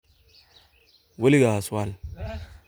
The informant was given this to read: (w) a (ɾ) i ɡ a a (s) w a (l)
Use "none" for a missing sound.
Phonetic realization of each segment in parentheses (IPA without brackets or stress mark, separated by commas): w, l, s, l